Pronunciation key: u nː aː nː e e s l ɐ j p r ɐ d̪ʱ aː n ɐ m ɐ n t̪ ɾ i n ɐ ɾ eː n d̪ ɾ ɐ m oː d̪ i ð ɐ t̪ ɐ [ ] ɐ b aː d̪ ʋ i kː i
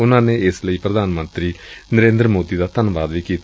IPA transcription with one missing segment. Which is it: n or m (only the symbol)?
n